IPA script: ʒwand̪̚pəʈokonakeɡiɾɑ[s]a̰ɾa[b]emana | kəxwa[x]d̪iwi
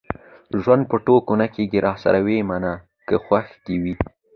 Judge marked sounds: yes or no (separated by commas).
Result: yes, no, yes